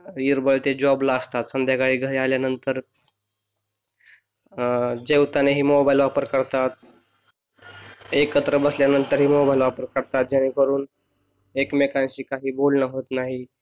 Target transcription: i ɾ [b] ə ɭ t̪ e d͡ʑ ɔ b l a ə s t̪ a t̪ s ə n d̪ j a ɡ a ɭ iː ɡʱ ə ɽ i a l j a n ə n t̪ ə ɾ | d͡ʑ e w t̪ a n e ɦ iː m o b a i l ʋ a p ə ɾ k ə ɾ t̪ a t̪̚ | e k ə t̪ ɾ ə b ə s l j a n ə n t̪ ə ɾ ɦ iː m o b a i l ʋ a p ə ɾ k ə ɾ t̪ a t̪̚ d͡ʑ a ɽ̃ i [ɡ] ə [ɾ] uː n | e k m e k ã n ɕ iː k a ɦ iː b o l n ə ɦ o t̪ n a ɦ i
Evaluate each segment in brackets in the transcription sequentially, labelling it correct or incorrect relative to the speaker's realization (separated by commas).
correct, incorrect, correct